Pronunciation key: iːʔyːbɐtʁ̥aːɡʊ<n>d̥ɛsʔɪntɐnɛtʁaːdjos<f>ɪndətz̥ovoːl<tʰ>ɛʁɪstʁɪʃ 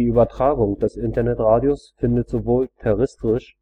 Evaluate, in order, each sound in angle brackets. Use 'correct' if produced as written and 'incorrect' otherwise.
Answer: incorrect: ŋ, correct, correct

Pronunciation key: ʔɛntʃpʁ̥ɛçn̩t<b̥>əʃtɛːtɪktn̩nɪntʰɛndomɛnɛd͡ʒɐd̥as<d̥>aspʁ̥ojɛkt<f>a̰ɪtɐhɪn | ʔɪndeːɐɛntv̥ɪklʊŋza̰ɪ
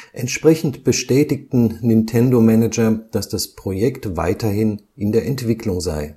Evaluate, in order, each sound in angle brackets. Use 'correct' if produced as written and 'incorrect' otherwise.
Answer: correct, correct, incorrect: v

